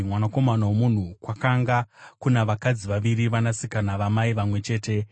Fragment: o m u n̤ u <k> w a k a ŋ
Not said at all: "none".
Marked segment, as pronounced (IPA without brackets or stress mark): k